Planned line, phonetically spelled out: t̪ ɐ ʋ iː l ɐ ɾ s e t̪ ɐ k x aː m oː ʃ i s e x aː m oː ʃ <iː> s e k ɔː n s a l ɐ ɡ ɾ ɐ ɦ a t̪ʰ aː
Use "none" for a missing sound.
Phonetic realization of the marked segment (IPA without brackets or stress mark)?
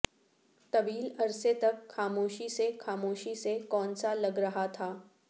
i